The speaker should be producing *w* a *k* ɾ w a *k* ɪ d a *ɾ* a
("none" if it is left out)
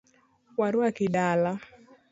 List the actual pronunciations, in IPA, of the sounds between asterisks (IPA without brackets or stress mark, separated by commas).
w, none, k, l